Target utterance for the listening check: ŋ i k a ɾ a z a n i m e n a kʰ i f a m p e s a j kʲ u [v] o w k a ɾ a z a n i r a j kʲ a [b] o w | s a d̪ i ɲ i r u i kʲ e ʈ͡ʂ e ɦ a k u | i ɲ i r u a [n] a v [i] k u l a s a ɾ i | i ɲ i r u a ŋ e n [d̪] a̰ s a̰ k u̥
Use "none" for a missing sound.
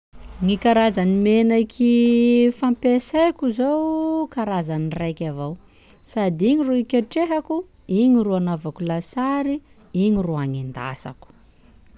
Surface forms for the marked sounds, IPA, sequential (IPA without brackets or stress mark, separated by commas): z, v, n, a, d̪